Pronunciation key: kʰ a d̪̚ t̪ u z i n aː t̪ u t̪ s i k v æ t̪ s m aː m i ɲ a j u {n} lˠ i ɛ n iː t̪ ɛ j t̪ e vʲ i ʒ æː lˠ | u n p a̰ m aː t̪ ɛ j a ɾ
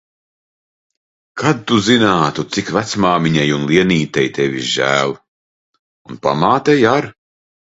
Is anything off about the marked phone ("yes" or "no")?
no